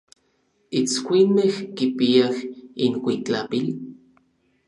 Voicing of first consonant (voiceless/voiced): voiceless